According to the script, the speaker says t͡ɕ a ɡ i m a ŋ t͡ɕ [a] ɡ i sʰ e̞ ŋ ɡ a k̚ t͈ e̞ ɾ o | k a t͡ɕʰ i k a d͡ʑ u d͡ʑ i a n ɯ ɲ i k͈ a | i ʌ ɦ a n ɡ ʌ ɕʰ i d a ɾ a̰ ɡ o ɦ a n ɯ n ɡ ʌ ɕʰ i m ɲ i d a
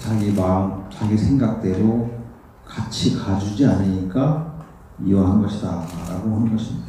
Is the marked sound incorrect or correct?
correct